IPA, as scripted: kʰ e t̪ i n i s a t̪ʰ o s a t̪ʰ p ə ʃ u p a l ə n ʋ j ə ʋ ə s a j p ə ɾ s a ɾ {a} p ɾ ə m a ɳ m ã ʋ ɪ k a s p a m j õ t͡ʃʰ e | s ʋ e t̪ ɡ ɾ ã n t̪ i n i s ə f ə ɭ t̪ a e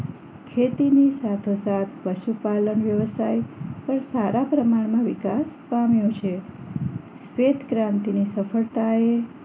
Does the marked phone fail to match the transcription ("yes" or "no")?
no